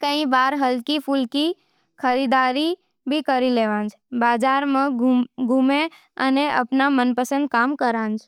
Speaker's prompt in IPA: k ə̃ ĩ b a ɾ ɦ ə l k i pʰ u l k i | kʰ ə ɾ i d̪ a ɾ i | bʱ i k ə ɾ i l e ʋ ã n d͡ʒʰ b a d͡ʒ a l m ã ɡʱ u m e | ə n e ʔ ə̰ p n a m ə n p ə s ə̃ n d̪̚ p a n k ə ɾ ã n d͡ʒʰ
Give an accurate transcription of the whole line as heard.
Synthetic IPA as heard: k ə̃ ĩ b a ɾ ɦ ə l k i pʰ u l k i | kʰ ə ɾ i d̪ a ɾ i | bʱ i k ə ɾ i l e ʋ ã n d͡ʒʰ b a d͡ʒ a ɾ m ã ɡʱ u m e | ə n e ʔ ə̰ p n a m ə n p ə s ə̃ n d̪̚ k a m k ə ɾ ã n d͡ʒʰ